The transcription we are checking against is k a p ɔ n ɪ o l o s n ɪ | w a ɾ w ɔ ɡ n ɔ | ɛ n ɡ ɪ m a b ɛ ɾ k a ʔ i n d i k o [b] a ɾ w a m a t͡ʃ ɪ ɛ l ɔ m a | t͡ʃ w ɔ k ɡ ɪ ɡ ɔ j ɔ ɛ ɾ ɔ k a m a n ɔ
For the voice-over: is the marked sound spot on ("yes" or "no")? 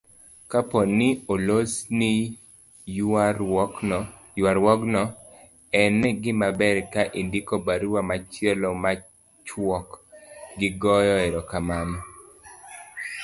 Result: yes